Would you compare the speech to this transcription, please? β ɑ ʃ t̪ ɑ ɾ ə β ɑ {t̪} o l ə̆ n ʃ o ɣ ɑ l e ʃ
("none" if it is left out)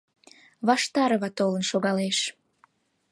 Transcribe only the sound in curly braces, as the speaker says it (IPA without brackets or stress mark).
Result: t̪